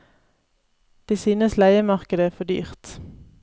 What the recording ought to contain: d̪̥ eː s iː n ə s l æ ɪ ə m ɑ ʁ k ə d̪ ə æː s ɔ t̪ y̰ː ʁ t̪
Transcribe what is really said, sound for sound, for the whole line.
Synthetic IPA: d̪̥ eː s yː n ə s l æ ɪ ə m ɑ ʁ k ə d̪ ə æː f ɔ d̪ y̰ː ʁ t̪